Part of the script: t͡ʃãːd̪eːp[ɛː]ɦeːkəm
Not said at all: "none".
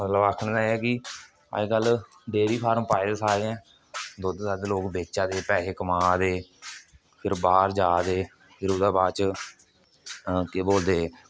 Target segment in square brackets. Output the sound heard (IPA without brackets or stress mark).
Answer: ɛː